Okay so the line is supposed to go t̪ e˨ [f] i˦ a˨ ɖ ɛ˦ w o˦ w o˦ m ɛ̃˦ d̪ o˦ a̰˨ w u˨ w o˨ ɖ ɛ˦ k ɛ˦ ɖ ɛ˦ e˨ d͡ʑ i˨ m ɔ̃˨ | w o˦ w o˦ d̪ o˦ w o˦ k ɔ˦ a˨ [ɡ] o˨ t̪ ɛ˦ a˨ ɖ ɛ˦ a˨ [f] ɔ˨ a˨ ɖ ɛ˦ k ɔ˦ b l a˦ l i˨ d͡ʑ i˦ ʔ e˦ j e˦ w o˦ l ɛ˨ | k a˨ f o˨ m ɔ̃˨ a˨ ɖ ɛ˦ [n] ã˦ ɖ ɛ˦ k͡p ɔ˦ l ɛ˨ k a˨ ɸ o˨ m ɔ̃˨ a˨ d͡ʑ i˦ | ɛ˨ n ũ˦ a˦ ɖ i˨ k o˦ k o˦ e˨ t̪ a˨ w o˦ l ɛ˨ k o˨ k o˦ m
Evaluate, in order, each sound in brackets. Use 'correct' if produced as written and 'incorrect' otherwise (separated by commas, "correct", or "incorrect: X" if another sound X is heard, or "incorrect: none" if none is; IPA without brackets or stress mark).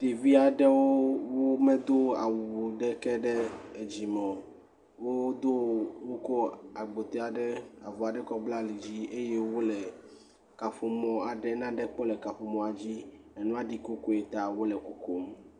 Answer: incorrect: v, incorrect: ɡ͡b, incorrect: v, correct